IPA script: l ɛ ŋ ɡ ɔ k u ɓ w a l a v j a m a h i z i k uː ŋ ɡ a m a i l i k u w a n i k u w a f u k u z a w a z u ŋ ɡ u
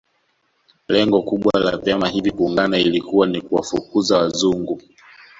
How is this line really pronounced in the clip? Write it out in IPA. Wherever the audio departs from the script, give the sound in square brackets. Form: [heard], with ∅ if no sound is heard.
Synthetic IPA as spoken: l ɛ ŋ ɡ ɔ k u ɓ w a l a v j a m a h i [v] i k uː ŋ ɡ a [n] a i l i k u w a n i k u w a f u k u z a w a z u ŋ ɡ u